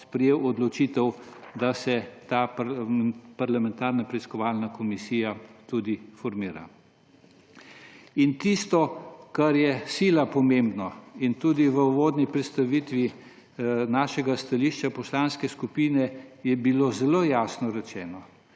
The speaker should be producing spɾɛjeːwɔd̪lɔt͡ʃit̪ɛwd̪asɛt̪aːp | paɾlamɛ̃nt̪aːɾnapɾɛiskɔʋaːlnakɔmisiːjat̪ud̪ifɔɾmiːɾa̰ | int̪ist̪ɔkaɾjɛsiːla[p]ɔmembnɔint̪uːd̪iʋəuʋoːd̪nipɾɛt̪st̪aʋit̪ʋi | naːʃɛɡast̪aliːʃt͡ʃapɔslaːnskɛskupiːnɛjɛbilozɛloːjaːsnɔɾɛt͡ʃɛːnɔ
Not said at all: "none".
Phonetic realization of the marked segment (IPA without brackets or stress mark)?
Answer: p